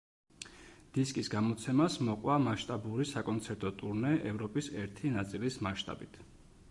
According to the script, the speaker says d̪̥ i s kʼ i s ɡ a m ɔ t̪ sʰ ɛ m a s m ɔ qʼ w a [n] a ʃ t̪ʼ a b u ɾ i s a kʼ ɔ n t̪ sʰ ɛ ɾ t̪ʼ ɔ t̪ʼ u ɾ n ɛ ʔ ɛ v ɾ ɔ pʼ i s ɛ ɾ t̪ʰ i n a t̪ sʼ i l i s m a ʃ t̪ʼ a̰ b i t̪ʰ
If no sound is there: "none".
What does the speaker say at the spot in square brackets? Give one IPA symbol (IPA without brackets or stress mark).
m